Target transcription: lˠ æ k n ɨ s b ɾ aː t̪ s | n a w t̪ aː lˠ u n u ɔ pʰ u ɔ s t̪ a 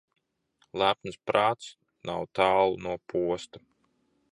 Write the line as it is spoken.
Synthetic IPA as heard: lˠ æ p n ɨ s p ɾ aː t̪ s | n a w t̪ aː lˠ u n u ɔ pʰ u ɔ s t̪ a